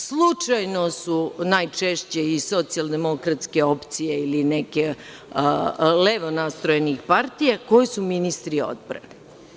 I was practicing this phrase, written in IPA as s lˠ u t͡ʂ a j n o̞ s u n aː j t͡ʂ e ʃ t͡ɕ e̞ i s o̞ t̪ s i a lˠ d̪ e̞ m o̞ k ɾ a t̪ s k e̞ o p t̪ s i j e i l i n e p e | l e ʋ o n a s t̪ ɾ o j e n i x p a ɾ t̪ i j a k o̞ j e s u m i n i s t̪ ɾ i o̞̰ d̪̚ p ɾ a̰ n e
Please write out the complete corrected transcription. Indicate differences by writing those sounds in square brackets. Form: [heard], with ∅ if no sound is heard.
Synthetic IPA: s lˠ u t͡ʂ a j n o̞ s u n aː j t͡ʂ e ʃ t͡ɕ e̞ i s o̞ t̪ s i a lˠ d̪ e̞ m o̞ k ɾ a t̪ s k e̞ o p t̪ s i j e i l i n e [k] e | l e ʋ o n a s t̪ ɾ o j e n i x p a ɾ t̪ i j a k o̞ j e s u m i n i s t̪ ɾ i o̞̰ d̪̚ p ɾ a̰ n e

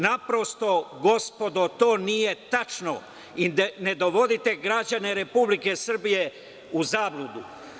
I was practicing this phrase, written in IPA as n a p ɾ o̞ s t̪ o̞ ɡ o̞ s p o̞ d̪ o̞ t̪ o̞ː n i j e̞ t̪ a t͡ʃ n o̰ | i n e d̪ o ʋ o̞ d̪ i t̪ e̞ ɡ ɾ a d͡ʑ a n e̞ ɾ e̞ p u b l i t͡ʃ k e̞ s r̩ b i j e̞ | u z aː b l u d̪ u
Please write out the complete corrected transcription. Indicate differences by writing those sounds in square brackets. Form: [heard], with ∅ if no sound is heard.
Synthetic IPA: n a p ɾ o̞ s t̪ o̞ ɡ o̞ s p o̞ d̪ o̞ t̪ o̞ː n i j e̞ t̪ a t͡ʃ n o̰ | i n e d̪ o ʋ o̞ d̪ i t̪ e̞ ɡ ɾ a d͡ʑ a n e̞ ɾ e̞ p u b l i [∅] k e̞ s r̩ b i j e̞ | u z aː b l u d̪ u

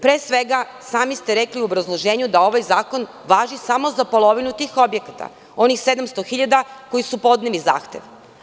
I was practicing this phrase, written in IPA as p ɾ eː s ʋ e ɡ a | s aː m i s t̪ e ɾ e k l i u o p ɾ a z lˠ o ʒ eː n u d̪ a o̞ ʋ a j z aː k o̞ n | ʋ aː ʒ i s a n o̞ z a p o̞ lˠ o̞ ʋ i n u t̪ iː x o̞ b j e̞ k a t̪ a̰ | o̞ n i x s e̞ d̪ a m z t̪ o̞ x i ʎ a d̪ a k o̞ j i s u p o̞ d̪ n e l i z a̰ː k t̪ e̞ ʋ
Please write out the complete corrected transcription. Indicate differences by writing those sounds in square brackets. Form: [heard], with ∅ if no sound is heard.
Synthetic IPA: p ɾ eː s ʋ e ɡ a | s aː m i s t̪ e ɾ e k l i u o [b] ɾ a z lˠ o ʒ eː [ɲ] u d̪ a o̞ ʋ a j z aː k o̞ n | ʋ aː ʒ i s a [m] o̞ z a p o̞ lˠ o̞ ʋ i n u t̪ iː x o̞ b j e̞ k a t̪ a̰ | o̞ n i x s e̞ d̪ a m [s] t̪ o̞ x i ʎ a d̪ a k o̞ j i s u p o̞ d̪ n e l i z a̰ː [x] t̪ e̞ ʋ

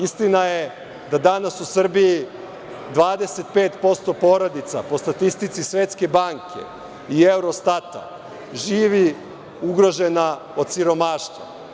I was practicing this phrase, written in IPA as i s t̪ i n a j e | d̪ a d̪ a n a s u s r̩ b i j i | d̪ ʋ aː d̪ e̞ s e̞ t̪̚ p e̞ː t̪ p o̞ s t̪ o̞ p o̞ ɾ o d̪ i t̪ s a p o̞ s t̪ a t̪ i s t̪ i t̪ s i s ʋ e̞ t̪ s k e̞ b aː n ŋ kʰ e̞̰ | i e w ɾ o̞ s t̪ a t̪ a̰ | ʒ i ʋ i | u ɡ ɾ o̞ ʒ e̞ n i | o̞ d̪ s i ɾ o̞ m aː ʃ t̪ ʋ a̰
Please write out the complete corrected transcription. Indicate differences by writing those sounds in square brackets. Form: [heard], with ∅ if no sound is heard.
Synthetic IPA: i s t̪ i n a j e | d̪ a d̪ a n a s u s r̩ b i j i | d̪ ʋ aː d̪ e̞ s e̞ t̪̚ p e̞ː t̪ p o̞ s t̪ o̞ p o̞ ɾ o d̪ i t̪ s a p o̞ s t̪ a t̪ i s t̪ i t̪ s i s ʋ e̞ t̪ s k e̞ b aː [∅] ŋ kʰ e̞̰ | i e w ɾ o̞ s t̪ a t̪ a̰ | ʒ [iː] ʋ i | u ɡ ɾ o̞ ʒ e̞ n [a] | o̞ d̪ s i ɾ o̞ m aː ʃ t̪ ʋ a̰

